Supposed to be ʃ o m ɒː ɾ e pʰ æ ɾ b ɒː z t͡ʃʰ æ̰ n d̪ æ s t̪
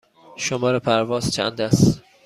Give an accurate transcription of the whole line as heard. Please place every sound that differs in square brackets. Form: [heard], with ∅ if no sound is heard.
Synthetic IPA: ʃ o m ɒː ɾ e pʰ æ ɾ [v] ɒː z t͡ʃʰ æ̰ n d̪ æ s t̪